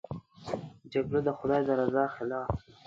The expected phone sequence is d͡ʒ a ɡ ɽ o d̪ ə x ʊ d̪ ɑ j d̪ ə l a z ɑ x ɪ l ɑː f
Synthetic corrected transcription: d͡ʒ a ɡ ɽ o d̪ ə x ʊ d̪ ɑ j d̪ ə ɾ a z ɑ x ɪ l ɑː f